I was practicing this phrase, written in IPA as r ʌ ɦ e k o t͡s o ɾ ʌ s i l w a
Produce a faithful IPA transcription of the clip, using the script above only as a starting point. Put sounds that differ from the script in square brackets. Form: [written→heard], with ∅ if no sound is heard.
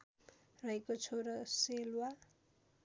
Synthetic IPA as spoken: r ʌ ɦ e k o [t͡s→t͡sʰ] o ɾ ʌ s [i→e] l w a